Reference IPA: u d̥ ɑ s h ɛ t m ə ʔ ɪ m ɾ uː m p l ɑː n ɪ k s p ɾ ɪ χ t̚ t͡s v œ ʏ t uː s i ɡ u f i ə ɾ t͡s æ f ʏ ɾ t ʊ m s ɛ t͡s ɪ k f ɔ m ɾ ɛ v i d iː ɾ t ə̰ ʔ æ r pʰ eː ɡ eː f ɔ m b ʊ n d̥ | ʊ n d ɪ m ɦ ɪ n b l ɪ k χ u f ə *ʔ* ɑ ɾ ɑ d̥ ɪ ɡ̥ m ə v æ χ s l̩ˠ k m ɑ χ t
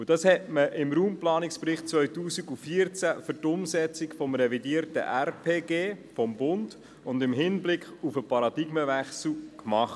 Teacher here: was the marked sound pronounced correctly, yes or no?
no